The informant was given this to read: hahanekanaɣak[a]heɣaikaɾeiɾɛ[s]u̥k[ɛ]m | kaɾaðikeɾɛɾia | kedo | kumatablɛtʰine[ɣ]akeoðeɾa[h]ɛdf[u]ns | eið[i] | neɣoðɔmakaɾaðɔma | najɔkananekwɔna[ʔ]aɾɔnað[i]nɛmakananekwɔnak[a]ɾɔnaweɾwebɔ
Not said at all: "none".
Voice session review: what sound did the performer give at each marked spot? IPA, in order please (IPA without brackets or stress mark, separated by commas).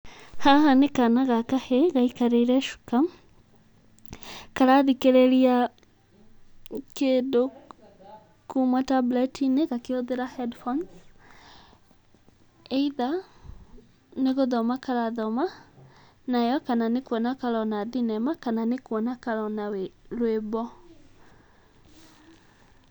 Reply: a, ʃ, a, ɣ, h, ɔ, a, k, i, a